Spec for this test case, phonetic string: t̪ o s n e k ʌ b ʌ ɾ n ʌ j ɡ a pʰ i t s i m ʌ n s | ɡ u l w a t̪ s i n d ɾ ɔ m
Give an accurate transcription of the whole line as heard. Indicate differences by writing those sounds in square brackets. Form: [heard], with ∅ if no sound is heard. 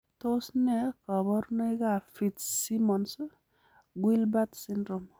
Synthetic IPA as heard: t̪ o s n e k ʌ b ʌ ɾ n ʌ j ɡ a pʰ i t s i m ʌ n s | ɡ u l [b] a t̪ s i n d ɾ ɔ m